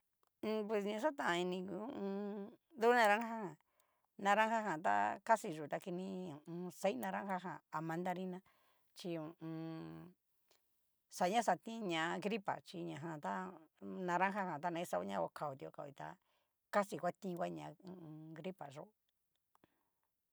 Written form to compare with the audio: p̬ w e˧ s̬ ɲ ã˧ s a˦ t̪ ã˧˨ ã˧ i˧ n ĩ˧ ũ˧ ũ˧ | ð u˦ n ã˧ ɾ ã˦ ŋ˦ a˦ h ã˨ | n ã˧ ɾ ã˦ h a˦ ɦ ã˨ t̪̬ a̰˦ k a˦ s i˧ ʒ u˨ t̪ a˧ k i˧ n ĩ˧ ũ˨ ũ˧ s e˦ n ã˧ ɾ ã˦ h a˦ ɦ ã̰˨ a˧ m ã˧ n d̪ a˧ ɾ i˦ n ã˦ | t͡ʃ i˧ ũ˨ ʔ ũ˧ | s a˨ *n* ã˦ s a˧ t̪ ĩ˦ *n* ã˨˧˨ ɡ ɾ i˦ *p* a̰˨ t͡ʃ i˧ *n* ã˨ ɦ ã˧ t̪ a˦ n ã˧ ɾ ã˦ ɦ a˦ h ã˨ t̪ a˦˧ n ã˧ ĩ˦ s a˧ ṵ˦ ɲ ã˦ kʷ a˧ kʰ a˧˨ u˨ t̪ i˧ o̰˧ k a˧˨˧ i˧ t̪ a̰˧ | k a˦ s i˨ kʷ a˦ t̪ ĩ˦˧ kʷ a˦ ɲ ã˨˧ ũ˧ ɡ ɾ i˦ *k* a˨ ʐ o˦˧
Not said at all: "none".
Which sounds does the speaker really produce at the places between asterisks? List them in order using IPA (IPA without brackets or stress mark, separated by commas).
ɲ, ɲ, p, ɲ, p